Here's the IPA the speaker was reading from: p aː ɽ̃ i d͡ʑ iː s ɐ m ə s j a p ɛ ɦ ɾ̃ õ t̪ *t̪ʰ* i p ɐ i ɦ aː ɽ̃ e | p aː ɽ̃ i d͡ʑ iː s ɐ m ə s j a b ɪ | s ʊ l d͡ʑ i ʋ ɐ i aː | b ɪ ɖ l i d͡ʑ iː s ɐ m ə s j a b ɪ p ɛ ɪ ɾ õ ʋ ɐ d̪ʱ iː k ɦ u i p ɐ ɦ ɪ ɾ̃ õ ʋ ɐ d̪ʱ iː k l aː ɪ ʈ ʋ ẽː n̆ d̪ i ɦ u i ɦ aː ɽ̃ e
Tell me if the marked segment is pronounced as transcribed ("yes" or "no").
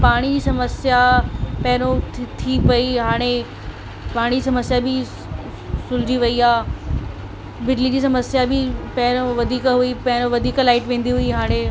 yes